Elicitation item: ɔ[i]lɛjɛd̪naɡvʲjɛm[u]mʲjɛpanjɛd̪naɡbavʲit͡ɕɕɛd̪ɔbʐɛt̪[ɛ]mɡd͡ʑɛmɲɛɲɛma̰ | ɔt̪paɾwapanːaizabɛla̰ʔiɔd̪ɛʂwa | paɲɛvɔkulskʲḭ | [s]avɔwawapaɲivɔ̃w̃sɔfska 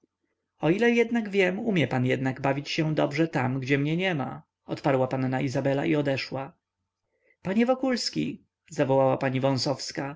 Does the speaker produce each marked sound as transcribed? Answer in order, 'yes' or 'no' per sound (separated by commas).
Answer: yes, yes, no, no